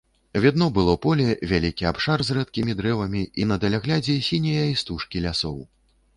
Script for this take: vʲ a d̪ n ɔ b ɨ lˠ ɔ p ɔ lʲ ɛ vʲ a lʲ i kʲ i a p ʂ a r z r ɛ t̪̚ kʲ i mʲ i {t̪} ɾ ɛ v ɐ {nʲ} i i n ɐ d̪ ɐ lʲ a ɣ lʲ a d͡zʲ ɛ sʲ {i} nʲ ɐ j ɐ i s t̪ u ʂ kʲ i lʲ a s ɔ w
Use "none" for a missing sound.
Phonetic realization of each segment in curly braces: d̪, mʲ, i

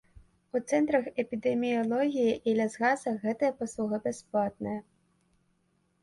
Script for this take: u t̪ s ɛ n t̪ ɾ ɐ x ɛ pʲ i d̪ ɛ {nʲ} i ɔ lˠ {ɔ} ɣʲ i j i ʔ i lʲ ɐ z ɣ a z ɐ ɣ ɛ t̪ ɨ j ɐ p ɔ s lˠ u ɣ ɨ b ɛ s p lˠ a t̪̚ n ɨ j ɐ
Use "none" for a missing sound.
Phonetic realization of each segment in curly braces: mʲ, ɔ

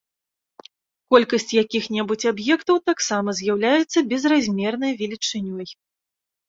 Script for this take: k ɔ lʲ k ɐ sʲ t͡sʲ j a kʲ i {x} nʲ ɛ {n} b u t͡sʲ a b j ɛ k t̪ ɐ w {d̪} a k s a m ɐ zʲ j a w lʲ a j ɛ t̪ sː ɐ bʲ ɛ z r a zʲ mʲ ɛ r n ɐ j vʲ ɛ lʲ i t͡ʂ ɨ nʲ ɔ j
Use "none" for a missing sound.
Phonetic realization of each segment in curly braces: x, none, t̪

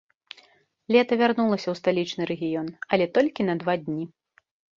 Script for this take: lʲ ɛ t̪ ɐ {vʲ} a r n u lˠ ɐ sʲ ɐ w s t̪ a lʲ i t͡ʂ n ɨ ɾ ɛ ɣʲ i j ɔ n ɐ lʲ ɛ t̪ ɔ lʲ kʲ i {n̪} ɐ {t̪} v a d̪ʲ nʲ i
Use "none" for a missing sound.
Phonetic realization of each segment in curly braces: vʲ, n̪, d̪

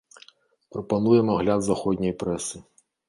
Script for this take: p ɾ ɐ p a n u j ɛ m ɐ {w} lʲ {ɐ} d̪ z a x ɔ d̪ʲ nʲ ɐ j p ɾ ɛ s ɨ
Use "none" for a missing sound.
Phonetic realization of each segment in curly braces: ɣ, a

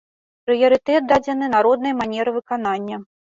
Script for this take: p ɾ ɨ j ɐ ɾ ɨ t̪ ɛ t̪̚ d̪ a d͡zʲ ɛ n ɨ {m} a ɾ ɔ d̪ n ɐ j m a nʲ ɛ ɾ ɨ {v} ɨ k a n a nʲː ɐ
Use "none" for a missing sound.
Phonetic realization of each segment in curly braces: n, v

